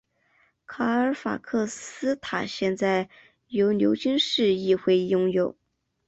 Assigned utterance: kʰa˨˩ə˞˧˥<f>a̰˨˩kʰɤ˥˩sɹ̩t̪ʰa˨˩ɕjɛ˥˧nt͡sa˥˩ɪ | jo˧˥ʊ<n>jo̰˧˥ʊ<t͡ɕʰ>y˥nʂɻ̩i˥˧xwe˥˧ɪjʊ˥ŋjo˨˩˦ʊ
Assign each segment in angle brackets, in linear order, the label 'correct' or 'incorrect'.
correct, correct, incorrect: t͡ɕ

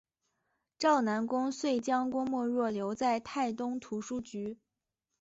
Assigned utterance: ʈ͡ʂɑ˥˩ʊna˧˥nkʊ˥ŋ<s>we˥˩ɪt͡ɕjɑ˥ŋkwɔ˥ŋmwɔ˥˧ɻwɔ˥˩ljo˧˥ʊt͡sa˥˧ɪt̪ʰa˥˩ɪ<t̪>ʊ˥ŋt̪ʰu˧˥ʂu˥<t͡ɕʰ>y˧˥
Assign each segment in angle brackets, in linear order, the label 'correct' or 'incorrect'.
correct, correct, incorrect: t͡ɕ

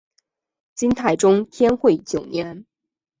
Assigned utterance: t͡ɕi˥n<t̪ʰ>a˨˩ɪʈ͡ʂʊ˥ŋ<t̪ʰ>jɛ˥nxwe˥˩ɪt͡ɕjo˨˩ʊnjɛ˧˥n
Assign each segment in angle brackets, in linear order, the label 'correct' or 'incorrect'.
correct, correct

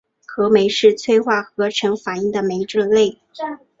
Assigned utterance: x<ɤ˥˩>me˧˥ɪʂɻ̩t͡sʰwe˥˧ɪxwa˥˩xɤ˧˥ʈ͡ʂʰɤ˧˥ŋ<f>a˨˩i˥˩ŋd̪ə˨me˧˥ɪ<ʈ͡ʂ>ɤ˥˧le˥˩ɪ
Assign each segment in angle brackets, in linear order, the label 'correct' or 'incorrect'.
incorrect: ɤ˧˥, correct, correct

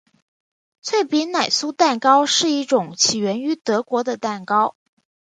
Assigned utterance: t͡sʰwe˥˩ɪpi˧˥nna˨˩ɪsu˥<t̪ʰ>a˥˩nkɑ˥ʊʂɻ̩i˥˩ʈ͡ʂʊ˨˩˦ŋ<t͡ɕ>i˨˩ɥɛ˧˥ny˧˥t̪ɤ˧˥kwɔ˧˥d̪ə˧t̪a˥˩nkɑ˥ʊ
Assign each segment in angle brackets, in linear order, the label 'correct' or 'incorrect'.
incorrect: t̪, incorrect: t͡ɕʰ

